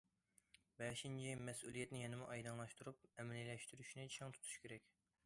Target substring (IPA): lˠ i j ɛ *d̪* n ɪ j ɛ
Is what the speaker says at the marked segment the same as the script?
no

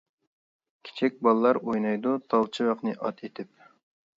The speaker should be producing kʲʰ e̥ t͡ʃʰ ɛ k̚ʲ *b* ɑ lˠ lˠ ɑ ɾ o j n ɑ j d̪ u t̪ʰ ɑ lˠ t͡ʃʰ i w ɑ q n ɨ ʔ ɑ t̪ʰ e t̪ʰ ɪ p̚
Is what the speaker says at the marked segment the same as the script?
yes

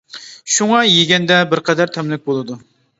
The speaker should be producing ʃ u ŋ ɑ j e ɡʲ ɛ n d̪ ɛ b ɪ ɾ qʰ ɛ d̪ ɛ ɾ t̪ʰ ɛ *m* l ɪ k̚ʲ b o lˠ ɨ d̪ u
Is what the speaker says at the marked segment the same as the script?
yes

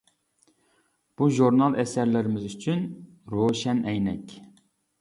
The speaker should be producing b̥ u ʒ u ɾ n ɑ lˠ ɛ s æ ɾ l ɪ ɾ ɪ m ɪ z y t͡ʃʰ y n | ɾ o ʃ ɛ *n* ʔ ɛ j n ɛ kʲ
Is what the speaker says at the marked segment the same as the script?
yes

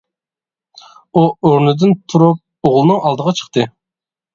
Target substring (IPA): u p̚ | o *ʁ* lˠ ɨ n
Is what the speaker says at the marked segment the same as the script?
yes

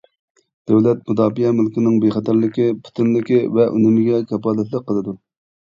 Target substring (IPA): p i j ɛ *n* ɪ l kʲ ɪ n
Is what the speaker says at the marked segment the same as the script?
no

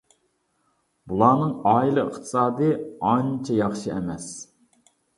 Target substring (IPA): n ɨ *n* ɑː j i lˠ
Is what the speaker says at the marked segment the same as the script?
no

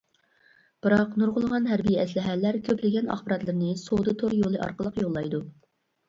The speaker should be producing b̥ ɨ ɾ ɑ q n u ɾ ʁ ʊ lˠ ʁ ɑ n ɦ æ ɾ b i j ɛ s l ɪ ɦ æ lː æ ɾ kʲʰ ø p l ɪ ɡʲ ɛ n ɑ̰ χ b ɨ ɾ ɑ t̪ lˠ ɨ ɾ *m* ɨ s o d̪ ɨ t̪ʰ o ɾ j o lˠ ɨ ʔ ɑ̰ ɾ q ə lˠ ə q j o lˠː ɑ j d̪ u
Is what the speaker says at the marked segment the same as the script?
no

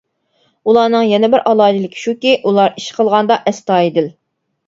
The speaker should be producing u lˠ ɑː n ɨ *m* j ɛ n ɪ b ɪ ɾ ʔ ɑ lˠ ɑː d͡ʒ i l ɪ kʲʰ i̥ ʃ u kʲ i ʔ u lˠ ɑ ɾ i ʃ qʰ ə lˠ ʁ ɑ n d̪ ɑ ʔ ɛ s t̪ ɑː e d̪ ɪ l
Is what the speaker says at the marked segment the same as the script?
no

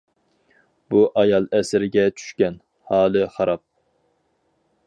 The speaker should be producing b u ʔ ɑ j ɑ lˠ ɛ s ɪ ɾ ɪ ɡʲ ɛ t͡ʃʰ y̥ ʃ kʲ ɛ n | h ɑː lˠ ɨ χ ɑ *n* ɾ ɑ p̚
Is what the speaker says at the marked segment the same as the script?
no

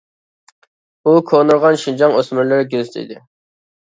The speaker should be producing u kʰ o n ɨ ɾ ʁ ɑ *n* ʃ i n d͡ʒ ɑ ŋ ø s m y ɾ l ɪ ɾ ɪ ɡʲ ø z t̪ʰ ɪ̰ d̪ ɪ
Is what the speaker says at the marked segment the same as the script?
yes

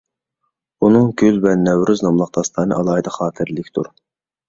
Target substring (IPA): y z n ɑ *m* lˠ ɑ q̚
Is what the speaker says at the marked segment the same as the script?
yes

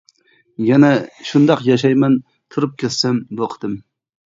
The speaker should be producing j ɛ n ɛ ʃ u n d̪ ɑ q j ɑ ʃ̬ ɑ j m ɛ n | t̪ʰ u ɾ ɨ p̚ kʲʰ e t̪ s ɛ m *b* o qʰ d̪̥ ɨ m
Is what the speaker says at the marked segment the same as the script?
yes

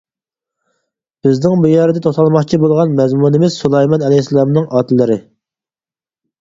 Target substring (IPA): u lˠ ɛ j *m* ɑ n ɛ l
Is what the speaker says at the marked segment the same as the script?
yes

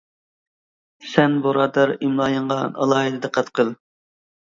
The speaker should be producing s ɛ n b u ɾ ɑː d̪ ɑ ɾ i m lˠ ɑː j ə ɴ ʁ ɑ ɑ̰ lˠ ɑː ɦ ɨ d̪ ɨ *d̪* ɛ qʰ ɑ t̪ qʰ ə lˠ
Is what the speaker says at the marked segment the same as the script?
yes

